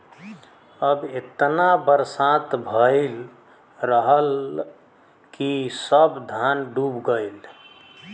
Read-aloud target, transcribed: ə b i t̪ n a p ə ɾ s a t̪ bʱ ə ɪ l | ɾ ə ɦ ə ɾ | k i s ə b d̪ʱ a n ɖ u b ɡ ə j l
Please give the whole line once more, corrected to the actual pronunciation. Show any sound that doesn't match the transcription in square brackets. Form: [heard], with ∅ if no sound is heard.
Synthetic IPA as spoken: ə b [e] t̪ n a [b] ə ɾ s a t̪ bʱ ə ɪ l | ɾ ə ɦ ə [l] | k i s ə b d̪ʱ a n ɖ u b ɡ ə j l